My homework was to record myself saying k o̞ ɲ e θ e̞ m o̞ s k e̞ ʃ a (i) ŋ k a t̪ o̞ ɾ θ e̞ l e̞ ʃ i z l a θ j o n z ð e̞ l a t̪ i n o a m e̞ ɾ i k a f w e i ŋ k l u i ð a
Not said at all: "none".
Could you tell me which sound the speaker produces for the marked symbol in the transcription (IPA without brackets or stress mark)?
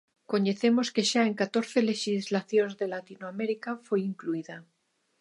e